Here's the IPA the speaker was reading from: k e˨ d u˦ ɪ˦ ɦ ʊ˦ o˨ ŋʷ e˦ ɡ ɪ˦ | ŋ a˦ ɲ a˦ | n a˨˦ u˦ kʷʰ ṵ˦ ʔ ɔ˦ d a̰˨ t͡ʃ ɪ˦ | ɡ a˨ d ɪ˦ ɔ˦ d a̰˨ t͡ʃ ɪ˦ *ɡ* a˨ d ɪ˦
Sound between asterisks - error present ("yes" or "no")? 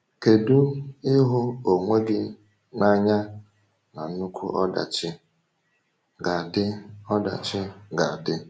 no